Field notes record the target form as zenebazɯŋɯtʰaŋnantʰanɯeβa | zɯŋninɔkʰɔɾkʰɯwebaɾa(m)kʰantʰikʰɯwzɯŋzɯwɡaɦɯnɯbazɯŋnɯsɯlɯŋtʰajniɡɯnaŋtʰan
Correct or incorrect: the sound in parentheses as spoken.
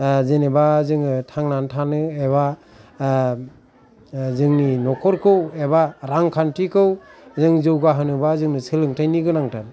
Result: incorrect: ŋ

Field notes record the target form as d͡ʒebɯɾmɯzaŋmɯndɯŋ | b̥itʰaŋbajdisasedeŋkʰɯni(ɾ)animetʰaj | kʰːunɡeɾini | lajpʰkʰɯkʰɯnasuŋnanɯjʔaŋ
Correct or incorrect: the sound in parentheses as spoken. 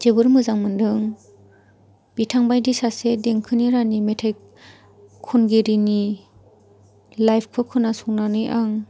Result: correct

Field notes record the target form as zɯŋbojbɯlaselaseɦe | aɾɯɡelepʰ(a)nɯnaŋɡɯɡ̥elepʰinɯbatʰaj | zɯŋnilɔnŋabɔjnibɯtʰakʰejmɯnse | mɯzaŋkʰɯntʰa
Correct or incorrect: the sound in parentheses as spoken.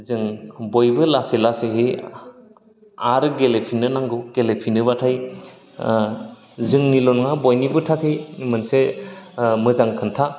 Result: incorrect: i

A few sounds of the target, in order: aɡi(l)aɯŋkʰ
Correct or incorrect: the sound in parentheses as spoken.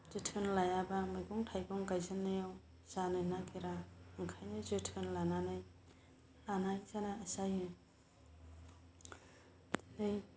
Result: incorrect: ɾ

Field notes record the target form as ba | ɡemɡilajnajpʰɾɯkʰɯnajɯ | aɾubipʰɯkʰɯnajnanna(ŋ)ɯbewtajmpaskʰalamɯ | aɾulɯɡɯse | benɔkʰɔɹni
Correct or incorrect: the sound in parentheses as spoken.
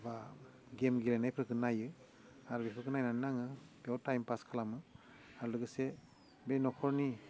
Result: correct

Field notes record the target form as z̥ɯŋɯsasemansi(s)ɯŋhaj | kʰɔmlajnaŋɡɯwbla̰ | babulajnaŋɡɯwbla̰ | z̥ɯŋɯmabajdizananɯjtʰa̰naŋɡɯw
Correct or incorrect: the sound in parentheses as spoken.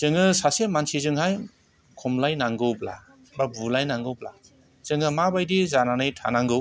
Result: incorrect: z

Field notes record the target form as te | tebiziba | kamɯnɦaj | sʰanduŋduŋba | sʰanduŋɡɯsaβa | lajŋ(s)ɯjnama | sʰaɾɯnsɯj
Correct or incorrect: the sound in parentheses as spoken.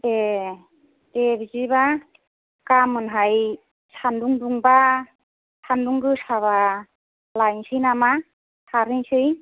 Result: correct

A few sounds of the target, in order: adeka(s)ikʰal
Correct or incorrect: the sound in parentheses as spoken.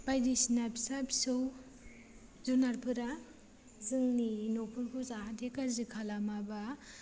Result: incorrect: z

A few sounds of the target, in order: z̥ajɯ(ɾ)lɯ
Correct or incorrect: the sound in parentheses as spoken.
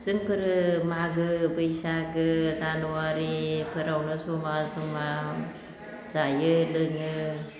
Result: incorrect: none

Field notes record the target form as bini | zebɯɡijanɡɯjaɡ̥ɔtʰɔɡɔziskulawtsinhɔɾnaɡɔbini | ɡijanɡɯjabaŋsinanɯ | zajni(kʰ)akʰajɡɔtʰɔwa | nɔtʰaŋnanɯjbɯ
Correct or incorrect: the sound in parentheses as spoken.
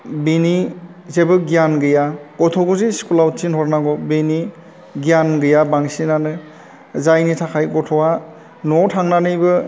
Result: incorrect: tʰ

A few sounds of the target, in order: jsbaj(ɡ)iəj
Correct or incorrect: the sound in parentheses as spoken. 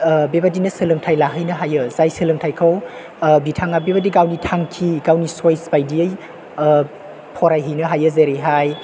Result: incorrect: d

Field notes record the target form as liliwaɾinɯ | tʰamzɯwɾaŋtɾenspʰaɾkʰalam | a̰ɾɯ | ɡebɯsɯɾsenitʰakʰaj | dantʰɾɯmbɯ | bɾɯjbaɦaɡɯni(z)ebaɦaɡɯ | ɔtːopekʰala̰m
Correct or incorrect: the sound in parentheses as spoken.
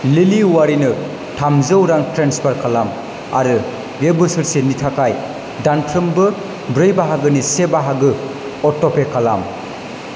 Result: incorrect: s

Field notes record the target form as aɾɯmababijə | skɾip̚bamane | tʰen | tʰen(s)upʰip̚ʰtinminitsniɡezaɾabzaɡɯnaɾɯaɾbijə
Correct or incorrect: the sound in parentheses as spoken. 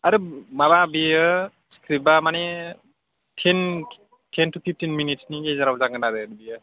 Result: incorrect: t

